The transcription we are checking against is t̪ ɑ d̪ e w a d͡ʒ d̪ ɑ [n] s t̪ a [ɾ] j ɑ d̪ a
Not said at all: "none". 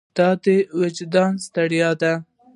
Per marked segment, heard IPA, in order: n, ɽ

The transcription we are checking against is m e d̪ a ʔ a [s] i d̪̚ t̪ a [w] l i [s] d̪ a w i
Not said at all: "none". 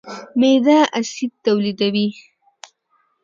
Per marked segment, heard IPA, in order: s, w, none

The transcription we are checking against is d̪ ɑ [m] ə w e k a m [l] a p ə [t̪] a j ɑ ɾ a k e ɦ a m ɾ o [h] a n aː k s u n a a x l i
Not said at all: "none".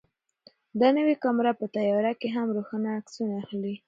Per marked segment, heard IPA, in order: n, ɾ, t̪, x

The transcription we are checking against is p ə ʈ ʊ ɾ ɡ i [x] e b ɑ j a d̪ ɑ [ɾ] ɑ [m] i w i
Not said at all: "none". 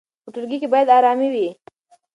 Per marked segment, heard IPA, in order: k, ɾ, m

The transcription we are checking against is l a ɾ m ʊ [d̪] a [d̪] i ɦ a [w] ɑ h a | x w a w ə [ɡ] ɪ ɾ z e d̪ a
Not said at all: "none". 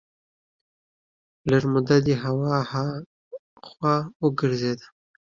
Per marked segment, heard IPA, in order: d̪, d̪, w, ɡ

